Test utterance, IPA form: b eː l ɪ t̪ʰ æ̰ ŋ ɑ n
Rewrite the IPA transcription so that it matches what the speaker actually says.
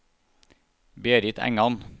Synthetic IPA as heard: b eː ɾ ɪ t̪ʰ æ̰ ŋ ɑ n